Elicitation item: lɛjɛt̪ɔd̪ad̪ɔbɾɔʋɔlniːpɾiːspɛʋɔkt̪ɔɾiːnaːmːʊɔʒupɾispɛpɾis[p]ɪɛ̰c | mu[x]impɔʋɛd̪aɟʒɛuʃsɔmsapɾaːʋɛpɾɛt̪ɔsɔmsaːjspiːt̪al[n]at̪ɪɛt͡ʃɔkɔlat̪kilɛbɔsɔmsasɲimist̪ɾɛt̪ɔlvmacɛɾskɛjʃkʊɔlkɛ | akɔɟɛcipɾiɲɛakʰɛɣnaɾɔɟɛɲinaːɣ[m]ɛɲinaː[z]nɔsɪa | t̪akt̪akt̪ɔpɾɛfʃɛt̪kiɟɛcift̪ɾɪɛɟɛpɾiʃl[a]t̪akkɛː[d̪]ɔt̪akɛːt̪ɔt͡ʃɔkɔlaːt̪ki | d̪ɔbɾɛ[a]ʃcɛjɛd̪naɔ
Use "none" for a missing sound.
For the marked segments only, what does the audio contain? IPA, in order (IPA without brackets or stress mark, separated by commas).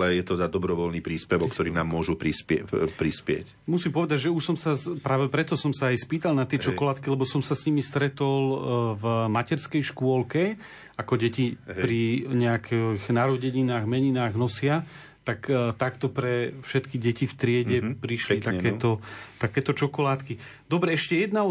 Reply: p, s, n, m, ɣ, i, t̪, ɛ